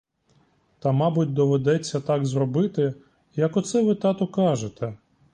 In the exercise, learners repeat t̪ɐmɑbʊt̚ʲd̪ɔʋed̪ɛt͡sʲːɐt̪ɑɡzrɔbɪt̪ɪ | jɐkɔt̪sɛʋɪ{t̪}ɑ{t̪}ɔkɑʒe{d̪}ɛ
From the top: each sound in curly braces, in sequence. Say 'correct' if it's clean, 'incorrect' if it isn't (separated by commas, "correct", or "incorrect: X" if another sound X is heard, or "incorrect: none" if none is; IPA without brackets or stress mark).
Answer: correct, correct, incorrect: t̪